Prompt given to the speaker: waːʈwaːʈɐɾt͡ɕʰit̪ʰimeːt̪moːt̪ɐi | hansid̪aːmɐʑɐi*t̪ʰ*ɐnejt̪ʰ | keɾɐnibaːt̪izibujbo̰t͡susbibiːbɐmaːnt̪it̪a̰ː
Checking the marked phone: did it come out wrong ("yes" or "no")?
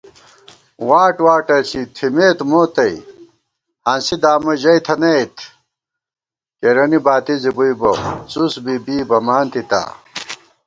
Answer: no